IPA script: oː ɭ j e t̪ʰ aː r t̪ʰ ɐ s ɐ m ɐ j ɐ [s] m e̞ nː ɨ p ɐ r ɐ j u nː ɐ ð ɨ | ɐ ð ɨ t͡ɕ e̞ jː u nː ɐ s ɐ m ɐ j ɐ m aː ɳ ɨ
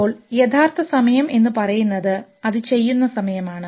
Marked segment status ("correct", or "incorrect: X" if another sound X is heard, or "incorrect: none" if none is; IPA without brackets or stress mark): incorrect: none